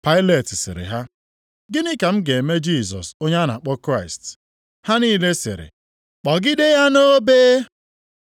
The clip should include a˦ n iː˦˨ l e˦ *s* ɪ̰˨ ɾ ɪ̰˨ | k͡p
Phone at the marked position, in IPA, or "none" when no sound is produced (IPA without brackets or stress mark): s